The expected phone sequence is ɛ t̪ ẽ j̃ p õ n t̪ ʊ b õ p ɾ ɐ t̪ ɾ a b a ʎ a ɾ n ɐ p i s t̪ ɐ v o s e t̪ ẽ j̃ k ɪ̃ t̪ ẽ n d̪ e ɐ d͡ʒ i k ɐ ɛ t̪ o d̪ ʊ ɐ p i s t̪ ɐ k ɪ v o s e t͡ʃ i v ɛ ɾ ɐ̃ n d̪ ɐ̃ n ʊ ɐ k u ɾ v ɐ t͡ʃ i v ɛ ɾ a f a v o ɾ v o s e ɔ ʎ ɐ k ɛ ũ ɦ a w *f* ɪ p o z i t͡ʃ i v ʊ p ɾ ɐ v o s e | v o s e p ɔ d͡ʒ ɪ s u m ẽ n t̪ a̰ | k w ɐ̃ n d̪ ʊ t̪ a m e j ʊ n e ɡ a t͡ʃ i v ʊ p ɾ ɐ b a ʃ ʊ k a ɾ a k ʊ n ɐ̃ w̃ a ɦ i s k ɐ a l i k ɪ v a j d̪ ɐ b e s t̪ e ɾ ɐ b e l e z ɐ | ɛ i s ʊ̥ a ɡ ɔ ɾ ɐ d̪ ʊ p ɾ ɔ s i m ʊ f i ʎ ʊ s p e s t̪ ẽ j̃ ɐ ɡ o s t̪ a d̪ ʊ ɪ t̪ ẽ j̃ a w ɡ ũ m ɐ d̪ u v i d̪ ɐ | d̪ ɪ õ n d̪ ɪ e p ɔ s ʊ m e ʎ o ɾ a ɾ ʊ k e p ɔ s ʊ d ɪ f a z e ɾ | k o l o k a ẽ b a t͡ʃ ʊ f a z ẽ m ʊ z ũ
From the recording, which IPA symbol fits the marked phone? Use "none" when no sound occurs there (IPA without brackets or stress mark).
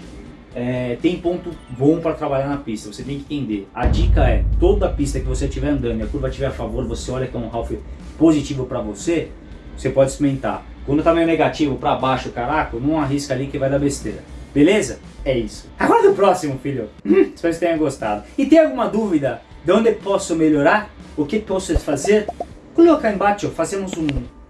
f